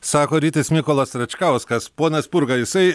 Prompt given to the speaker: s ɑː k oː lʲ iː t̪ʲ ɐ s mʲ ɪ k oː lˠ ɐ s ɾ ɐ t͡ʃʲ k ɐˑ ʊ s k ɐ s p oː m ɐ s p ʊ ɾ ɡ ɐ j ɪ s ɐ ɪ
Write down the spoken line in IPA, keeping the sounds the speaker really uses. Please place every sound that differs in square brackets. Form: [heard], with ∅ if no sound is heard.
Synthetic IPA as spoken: s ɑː k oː [ɾʲ] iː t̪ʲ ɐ s mʲ ɪ k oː lˠ ɐ s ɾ ɐ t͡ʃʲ k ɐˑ ʊ s k ɐ s p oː [n] ɐ s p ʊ ɾ ɡ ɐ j ɪ s ɐ ɪ